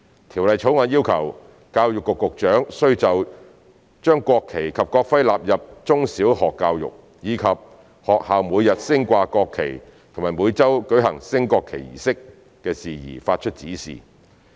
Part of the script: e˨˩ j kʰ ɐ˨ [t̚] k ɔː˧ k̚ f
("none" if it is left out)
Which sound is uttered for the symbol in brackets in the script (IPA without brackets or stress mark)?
p̚